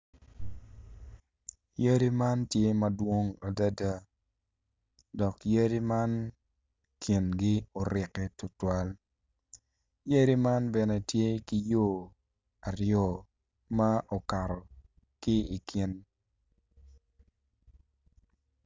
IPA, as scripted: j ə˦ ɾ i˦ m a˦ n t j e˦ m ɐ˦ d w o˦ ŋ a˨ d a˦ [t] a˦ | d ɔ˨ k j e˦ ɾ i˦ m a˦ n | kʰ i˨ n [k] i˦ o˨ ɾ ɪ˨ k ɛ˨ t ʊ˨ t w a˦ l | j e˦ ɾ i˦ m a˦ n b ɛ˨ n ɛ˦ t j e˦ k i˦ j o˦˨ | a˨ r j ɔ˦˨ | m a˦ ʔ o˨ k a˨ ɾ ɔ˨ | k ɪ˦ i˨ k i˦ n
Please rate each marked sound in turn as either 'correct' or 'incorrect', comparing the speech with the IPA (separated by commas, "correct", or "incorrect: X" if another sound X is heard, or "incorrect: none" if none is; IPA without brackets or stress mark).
incorrect: d, incorrect: ɡ